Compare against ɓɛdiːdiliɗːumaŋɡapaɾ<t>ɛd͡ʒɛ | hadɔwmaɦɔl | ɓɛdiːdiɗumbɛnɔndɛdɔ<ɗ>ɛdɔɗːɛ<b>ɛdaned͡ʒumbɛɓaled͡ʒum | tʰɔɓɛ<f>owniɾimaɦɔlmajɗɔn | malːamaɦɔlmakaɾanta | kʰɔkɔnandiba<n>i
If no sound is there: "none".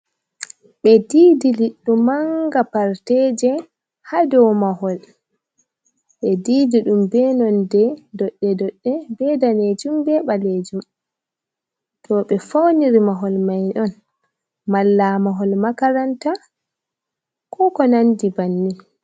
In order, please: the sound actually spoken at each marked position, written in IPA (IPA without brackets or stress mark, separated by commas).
t, ɗː, b, f, nː